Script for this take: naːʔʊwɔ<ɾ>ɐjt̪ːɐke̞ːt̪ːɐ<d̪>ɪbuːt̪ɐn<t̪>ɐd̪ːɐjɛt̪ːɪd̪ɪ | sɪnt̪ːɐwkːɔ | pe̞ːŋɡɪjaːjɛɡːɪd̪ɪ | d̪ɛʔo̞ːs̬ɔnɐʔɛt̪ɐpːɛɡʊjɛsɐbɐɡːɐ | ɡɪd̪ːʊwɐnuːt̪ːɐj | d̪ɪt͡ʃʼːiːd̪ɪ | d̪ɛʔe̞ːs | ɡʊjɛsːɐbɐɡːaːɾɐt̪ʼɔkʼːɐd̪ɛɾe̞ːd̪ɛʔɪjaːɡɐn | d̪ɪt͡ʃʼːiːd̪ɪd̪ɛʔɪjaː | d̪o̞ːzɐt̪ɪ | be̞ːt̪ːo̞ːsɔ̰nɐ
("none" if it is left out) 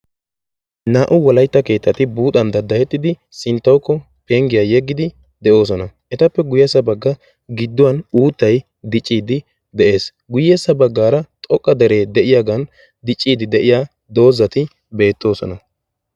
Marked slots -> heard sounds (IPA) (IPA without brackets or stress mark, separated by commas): l, t̪, d̪